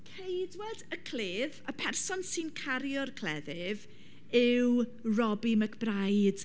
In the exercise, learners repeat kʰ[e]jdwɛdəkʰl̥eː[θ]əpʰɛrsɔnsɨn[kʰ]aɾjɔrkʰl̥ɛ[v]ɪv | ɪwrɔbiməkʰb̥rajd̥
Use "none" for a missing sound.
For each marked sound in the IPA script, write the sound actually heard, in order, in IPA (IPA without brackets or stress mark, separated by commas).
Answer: e, ð, kʰ, ð